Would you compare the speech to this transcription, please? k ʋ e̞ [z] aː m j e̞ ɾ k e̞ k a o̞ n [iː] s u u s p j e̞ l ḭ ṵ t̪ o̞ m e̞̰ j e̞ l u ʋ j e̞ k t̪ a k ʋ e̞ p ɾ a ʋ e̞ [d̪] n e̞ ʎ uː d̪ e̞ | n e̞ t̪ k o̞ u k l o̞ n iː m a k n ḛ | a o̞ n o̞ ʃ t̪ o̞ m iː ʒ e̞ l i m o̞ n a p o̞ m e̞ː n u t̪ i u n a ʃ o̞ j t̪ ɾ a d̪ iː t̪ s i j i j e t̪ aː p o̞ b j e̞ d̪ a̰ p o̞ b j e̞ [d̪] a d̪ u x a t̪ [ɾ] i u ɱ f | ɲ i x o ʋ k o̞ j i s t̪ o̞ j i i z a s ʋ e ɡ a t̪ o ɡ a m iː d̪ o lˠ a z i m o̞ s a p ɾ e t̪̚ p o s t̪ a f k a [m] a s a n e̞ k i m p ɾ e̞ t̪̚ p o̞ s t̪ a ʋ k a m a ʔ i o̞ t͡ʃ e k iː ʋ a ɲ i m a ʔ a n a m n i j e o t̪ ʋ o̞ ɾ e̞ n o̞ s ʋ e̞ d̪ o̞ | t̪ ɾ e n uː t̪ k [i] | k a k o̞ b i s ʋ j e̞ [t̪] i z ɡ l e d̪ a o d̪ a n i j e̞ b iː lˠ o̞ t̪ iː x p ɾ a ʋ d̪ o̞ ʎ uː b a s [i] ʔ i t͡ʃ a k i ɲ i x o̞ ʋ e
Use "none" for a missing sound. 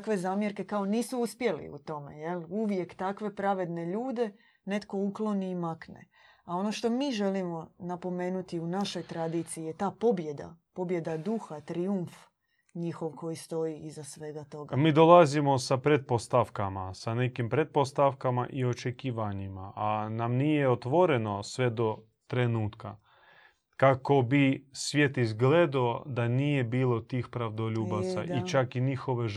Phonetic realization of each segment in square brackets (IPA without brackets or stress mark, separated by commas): z, iː, d̪, d̪, ɾ, m, a, t̪, a